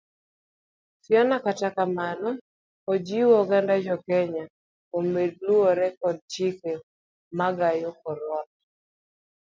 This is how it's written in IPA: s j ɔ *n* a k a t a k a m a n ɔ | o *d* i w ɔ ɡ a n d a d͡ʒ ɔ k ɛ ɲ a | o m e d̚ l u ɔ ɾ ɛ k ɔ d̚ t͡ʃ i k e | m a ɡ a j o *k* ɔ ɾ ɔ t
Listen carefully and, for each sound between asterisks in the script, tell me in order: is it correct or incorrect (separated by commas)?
correct, incorrect, correct